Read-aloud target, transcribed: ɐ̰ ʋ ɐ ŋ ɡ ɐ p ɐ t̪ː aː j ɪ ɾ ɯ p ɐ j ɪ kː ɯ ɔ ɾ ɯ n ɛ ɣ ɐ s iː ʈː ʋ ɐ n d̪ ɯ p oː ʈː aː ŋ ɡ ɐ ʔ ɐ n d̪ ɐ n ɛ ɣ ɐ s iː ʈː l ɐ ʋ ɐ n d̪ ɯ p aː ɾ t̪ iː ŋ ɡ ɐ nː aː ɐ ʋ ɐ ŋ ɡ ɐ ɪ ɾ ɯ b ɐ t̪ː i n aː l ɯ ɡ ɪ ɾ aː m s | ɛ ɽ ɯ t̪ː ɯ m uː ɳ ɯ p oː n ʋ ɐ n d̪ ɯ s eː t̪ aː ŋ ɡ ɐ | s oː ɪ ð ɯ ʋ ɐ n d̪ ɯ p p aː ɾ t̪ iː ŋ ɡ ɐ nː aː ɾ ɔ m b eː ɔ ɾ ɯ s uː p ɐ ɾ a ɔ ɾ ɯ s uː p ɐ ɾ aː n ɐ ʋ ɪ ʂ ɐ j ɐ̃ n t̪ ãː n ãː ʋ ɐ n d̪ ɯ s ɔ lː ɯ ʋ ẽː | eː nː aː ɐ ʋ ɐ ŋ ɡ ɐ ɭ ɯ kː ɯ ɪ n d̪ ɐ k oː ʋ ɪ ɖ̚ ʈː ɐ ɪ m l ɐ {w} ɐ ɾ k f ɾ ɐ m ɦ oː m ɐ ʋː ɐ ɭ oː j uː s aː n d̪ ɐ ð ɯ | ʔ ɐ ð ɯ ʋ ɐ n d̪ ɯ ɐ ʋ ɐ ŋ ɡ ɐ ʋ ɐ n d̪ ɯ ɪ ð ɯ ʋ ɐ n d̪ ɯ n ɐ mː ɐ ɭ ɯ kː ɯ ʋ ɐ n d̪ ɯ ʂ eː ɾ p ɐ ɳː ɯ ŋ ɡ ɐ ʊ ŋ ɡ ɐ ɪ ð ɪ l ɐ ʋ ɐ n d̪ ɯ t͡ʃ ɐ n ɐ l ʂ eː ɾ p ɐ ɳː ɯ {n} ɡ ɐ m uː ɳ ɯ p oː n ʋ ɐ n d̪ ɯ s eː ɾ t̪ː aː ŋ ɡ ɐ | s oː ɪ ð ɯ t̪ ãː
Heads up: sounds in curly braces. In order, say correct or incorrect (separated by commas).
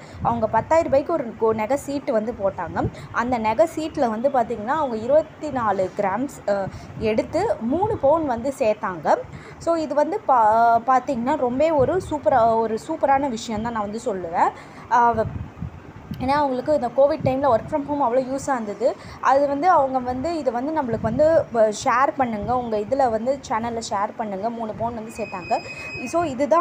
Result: incorrect, incorrect